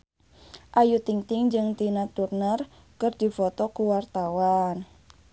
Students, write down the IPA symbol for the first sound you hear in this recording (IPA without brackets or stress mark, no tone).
ʔ